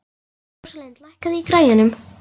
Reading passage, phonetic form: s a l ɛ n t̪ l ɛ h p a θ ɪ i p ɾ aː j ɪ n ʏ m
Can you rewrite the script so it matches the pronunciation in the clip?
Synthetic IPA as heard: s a l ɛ n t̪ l a h k a ð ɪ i k ɾ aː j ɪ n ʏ m